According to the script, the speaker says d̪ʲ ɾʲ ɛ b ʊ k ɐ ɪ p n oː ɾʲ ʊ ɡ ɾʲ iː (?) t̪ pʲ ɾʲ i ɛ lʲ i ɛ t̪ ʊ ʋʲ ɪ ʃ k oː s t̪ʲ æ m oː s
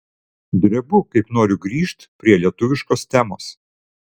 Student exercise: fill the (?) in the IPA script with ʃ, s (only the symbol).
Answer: ʃ